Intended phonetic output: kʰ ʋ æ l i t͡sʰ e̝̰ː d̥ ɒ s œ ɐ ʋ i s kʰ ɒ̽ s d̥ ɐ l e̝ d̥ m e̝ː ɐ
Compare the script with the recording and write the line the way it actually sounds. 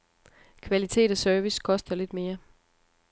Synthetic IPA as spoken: kʰ ʋ æ l i t͡sʰ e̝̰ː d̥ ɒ s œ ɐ ʋ i s kʰ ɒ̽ s d̥ ɐ l e̝ d̥ m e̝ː ɐ